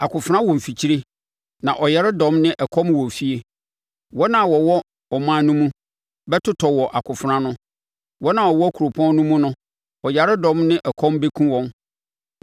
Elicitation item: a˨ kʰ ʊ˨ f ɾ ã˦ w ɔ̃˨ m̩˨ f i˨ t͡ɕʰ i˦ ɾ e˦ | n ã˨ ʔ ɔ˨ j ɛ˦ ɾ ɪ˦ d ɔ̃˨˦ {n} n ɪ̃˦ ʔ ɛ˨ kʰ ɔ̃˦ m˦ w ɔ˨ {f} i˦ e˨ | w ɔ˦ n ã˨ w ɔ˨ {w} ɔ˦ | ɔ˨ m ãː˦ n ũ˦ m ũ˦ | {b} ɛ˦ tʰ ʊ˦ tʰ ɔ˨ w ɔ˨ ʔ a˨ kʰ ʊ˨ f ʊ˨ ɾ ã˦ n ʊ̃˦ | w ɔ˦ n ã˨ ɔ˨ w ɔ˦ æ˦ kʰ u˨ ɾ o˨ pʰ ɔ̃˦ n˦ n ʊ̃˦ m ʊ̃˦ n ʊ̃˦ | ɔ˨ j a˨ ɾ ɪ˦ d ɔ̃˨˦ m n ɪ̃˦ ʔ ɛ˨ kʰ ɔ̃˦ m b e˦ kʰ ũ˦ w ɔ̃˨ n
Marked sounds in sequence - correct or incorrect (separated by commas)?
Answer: incorrect, correct, correct, correct